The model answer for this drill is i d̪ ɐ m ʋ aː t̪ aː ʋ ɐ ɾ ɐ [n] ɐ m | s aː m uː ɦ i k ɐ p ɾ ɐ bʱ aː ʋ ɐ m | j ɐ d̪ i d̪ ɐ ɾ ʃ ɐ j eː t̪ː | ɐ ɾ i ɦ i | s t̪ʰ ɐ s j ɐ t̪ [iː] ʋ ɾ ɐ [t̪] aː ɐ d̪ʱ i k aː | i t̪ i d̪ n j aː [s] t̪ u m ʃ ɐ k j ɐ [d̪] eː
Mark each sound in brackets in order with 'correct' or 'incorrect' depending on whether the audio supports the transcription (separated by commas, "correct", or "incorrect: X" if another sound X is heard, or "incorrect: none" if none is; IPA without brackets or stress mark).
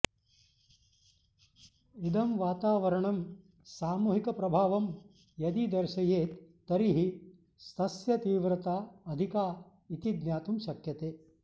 incorrect: ɳ, correct, correct, incorrect: none, incorrect: t̪